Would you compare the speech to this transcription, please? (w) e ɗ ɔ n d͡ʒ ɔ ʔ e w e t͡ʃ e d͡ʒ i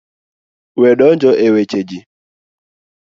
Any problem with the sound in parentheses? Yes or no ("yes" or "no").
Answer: no